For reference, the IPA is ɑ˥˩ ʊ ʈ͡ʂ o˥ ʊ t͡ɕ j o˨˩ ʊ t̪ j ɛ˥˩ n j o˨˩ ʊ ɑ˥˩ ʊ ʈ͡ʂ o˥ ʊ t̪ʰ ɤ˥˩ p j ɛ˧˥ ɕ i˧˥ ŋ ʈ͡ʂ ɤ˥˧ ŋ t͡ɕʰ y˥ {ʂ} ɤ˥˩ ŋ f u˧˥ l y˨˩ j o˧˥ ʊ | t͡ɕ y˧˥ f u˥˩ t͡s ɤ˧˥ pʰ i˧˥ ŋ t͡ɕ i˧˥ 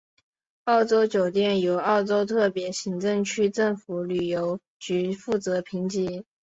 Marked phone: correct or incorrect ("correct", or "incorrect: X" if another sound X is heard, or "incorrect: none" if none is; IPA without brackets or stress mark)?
incorrect: ʈ͡ʂ